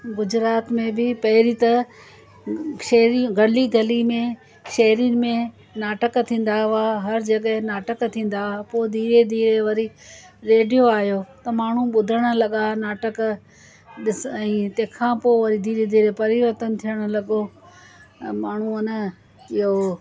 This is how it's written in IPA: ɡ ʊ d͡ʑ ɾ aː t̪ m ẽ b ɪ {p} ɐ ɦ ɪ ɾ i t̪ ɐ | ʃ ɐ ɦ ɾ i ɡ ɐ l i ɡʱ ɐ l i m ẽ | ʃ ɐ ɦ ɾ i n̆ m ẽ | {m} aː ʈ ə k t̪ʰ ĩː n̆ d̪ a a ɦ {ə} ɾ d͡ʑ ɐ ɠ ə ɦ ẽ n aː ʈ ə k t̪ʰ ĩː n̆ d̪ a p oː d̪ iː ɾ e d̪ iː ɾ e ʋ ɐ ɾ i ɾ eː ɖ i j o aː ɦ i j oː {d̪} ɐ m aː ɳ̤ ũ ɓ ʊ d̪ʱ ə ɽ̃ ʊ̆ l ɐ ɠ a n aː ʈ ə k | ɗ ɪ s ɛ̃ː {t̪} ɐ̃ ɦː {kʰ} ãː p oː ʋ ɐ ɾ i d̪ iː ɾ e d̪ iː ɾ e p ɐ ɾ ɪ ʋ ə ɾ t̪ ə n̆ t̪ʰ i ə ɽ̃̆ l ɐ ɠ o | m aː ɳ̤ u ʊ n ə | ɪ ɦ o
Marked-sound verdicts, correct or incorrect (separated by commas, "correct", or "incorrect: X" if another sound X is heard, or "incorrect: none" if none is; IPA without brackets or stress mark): correct, incorrect: n, incorrect: ɐ, incorrect: t̪, correct, correct